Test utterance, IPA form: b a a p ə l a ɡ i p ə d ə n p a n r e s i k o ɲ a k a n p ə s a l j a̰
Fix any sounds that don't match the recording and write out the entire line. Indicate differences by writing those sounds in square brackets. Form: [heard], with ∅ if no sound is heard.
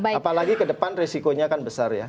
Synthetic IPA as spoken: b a a p [a] l a ɡ i [k] ə d ə [∅] p a n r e s i k o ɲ a k a n [b] ə s a [r] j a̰